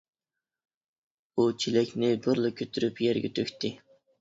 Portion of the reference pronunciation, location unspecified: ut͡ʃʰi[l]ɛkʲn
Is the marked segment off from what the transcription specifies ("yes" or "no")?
no